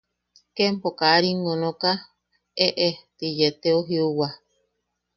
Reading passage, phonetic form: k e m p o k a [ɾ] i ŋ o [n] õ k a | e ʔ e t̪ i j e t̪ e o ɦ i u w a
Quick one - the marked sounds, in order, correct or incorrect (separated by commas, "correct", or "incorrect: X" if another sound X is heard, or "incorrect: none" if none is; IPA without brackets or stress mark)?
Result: correct, correct